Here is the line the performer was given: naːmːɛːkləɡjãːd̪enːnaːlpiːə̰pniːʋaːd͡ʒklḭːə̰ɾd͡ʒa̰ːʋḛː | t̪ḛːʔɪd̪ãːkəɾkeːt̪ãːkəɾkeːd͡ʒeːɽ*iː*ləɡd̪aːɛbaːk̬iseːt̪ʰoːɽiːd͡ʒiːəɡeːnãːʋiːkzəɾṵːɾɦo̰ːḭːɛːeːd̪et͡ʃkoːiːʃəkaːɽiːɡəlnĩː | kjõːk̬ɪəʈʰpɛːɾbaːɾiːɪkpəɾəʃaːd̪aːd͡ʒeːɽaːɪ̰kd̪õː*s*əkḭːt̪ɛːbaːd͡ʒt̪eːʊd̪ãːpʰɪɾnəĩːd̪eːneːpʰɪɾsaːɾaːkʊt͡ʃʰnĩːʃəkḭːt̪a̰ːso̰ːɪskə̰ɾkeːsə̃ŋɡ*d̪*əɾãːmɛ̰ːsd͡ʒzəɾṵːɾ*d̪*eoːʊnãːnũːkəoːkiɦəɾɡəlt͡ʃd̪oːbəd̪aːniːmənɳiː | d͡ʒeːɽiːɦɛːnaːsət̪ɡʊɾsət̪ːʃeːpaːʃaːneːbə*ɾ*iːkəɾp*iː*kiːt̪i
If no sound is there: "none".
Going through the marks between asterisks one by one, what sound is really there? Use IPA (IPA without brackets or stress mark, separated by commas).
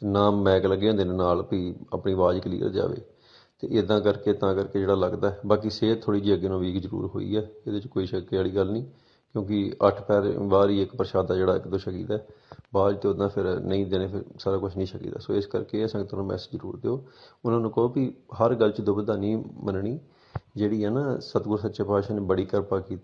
aː, ʃ, t̪, d̪, ɽ, aː